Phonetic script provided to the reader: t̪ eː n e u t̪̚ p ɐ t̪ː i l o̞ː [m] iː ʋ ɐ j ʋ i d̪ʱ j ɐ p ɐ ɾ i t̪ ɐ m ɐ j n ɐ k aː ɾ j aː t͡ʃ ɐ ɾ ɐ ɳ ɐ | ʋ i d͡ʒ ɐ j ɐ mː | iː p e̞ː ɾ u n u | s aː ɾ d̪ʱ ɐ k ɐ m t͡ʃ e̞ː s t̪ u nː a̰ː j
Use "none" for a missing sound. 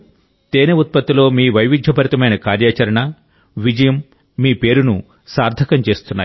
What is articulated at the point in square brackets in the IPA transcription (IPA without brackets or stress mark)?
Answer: m